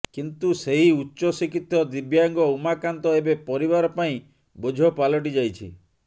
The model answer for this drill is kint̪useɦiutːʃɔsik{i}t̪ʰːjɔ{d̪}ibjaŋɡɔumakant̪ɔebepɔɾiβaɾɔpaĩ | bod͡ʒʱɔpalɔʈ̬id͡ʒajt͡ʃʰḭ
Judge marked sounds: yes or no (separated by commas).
yes, yes